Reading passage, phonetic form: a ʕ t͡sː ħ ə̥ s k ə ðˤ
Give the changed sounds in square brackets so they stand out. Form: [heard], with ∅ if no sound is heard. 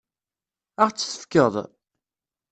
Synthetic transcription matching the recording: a [ʁ] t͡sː [θ] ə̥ [f] k ə ðˤ